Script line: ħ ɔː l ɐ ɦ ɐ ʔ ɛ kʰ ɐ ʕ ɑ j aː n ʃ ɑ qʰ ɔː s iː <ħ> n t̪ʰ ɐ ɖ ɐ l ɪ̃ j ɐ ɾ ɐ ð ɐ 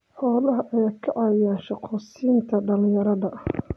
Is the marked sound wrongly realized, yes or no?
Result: yes